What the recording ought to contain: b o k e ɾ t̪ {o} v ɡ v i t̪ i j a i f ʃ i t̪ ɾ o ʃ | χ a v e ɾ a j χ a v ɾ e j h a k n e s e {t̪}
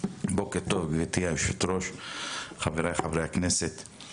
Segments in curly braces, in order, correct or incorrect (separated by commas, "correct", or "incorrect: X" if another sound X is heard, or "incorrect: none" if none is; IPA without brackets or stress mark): correct, correct